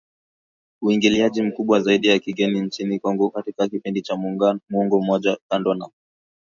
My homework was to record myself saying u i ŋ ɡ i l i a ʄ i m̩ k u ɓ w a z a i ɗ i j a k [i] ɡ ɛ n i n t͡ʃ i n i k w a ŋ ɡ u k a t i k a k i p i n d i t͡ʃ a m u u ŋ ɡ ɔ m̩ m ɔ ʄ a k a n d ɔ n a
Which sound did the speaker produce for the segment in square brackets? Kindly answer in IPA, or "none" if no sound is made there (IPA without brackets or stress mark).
i